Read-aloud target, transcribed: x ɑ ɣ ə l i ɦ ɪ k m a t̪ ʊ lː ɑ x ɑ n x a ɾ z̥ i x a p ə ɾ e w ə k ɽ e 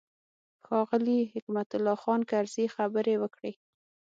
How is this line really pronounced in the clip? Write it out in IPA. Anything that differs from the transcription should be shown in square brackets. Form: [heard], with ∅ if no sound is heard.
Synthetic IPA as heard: x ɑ ɣ ə l i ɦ ɪ k m a t̪ ʊ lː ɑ x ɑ n [k] a ɾ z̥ i x a [b] ə ɾ e w ə k ɽ e